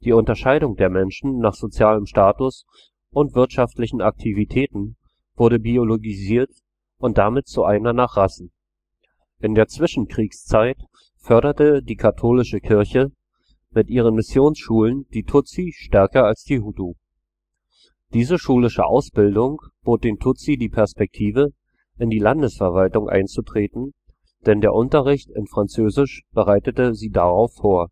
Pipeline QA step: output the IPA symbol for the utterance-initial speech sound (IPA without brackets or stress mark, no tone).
d̥